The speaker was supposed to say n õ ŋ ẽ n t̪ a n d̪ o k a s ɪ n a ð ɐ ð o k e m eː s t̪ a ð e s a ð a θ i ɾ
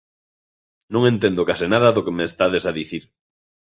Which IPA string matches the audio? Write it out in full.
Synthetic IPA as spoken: n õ ŋ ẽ n t̪ e n d̪ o k a s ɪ n a ð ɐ ð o k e m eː s t̪ a ð e s a ð i θ i ɾ